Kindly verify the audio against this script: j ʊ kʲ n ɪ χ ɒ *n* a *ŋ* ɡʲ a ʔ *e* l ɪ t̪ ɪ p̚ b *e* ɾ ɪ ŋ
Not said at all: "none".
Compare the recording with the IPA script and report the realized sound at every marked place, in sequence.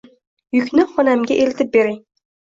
n, m, e, e

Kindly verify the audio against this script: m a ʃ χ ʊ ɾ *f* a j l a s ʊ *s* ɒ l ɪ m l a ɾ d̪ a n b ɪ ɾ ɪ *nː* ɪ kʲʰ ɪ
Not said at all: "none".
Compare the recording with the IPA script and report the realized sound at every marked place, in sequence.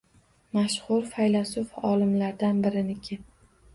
f, f, n

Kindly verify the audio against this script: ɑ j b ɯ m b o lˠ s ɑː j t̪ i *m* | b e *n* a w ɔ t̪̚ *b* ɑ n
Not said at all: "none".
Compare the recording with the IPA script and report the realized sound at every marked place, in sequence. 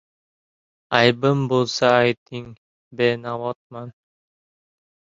ŋ, n, m

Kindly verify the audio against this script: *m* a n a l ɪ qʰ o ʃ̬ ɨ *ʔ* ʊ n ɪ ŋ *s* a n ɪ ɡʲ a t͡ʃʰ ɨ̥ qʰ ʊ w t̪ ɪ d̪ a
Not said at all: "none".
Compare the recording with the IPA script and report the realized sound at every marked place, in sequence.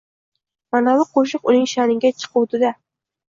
m, q, ʃ

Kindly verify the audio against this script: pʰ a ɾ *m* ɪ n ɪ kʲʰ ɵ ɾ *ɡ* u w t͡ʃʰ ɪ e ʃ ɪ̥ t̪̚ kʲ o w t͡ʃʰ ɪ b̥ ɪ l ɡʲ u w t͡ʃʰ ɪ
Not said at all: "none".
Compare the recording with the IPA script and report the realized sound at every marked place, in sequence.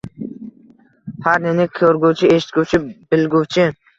n, ɡ

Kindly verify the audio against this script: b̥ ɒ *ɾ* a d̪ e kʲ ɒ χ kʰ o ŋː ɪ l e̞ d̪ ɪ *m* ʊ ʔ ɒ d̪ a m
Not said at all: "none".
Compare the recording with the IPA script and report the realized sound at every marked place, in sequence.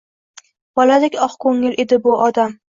l, b

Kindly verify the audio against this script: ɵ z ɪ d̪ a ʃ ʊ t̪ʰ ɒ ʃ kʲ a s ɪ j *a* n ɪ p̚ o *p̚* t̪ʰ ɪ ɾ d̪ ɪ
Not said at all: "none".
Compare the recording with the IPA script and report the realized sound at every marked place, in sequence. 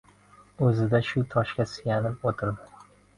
a, none

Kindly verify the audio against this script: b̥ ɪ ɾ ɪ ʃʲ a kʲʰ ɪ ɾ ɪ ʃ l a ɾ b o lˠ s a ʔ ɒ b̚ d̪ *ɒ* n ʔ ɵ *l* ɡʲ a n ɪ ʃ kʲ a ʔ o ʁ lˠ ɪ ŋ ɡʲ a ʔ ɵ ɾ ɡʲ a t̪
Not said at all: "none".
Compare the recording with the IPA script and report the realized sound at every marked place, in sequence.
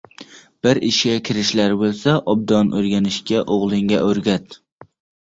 ɒ, ɾ

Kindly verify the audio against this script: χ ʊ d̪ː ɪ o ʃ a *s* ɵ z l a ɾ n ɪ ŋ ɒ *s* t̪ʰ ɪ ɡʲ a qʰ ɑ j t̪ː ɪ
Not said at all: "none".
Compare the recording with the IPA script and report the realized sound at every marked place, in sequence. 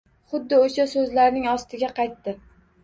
s, s

